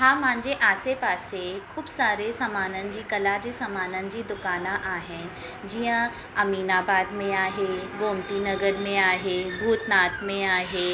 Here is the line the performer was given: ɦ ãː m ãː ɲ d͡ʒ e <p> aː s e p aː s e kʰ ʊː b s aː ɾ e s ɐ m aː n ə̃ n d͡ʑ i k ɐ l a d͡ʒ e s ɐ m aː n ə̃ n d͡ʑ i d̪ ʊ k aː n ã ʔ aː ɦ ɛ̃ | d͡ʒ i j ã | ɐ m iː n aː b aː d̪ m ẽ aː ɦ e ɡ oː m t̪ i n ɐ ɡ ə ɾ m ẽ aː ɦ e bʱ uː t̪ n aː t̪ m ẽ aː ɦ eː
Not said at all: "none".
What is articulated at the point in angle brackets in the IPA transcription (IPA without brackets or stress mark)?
ʔ